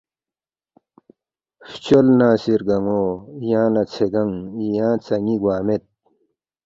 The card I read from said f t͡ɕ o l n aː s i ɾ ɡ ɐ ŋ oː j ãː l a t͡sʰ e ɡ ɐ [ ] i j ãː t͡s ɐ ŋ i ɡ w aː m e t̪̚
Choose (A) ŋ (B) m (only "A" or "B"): A